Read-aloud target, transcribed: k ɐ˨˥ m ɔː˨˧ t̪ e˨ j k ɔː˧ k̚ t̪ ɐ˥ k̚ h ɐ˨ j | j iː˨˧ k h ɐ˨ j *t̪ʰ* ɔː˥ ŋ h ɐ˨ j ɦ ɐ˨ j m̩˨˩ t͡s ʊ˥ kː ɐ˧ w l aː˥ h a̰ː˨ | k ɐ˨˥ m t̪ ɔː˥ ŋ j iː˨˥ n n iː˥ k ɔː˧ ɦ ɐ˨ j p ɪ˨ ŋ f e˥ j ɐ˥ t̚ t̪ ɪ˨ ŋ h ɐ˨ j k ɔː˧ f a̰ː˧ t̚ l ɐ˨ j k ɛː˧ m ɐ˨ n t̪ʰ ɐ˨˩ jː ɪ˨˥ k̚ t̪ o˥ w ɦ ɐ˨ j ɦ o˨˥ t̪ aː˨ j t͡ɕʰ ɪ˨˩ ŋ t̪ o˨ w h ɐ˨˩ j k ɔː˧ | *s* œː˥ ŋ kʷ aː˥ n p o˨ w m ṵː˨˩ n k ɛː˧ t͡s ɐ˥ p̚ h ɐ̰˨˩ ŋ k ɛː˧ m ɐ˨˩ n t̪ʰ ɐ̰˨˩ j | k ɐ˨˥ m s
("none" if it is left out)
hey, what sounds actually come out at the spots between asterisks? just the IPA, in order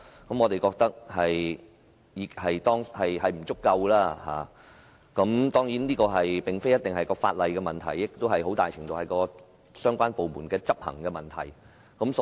t̪, s

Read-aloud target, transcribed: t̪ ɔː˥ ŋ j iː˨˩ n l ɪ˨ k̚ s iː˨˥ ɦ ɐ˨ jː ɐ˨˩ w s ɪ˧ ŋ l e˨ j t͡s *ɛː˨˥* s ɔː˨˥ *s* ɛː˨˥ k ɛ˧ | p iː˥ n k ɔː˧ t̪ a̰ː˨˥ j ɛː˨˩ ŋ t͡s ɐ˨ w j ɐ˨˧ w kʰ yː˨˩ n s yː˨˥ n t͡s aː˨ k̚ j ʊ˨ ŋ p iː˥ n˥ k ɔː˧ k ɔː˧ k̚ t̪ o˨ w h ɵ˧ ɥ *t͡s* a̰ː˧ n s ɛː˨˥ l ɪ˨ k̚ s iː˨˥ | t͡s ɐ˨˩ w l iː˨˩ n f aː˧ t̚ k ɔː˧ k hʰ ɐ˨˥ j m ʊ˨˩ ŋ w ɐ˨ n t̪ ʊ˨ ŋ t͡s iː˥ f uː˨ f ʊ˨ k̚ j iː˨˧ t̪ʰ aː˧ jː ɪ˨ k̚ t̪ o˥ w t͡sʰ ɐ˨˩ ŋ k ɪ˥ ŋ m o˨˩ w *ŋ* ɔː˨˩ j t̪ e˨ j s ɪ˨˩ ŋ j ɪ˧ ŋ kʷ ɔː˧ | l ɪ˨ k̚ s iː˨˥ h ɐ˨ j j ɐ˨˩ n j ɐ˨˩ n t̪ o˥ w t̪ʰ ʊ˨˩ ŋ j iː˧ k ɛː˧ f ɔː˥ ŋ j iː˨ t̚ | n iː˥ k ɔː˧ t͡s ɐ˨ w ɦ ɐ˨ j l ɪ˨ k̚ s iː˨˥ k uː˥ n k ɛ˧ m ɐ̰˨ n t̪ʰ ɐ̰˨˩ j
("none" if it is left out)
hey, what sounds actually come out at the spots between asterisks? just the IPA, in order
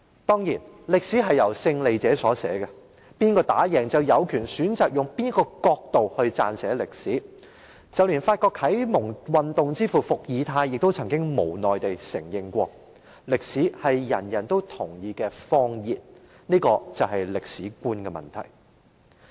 ɛː˨˥, s, t͡s, n

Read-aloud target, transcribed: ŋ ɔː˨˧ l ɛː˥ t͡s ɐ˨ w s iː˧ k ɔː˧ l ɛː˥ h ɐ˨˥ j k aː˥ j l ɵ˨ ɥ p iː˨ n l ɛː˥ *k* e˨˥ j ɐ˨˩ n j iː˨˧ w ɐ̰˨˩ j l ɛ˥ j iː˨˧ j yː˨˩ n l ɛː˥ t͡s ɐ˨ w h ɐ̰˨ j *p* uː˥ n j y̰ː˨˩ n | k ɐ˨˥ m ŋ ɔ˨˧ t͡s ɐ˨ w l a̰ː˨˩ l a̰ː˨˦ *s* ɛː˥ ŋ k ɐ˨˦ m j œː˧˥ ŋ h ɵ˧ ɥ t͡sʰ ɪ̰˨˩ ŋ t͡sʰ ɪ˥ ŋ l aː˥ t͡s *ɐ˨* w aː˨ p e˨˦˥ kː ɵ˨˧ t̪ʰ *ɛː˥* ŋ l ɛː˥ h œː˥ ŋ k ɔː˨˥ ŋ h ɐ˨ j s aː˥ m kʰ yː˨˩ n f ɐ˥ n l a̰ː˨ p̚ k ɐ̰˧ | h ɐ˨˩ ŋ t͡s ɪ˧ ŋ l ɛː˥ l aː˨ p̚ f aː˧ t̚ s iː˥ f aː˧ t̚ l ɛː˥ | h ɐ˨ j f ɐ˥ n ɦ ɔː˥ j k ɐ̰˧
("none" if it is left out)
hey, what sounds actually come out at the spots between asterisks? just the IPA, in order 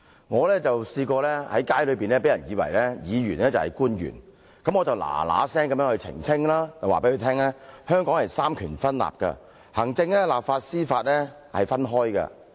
p, k, s, ɐ˨, ɛː˥

